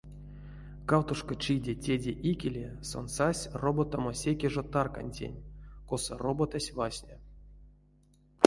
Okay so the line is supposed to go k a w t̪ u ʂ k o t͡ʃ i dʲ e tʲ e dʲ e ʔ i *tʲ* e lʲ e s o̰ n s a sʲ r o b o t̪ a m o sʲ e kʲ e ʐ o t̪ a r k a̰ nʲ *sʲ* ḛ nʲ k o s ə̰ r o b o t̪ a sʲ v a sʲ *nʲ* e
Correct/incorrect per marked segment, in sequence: incorrect: kʲ, incorrect: tʲ, correct

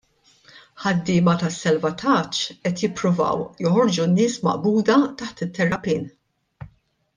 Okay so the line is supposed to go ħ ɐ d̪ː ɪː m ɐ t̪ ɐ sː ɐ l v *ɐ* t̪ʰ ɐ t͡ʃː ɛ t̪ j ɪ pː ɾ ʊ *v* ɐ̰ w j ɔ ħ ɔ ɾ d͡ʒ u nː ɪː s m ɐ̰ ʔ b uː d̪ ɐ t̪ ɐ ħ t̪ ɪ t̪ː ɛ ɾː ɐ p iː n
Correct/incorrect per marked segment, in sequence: correct, correct

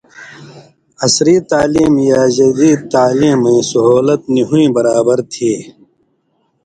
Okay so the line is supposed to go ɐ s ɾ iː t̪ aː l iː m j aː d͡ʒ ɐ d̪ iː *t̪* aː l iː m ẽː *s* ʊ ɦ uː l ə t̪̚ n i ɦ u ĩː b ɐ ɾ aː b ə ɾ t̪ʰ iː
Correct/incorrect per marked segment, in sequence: correct, correct

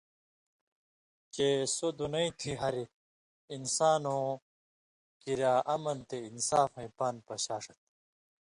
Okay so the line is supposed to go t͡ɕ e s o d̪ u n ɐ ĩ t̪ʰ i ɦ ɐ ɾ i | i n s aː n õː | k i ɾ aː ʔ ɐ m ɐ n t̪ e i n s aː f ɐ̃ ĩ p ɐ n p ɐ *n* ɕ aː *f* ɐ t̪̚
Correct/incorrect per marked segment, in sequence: incorrect: none, incorrect: ʂ

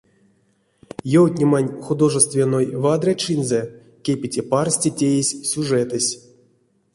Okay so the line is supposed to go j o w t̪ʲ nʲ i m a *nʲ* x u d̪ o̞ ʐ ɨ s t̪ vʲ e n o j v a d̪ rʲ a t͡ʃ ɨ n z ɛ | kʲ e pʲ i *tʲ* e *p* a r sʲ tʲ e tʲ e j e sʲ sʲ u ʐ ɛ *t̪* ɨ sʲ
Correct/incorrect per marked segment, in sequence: correct, correct, correct, correct

